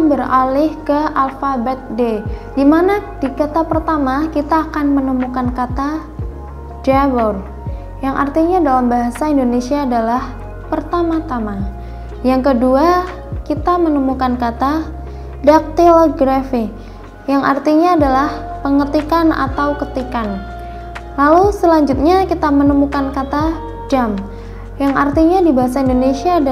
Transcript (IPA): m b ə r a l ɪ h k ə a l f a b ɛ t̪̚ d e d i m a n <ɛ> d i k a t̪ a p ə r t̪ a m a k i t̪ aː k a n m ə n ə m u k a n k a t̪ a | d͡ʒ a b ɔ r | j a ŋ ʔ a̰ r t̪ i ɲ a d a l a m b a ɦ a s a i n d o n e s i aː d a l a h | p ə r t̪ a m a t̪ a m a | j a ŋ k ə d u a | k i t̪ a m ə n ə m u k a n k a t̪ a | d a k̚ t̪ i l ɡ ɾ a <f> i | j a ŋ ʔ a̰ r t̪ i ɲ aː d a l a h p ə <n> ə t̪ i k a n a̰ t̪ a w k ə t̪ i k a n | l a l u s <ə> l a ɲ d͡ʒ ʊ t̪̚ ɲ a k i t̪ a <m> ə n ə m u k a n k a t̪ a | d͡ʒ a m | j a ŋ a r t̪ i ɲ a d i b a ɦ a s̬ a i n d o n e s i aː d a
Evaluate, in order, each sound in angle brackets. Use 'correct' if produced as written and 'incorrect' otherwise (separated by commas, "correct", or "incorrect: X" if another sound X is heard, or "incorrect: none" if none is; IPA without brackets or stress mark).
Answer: incorrect: a, correct, incorrect: ŋ, correct, correct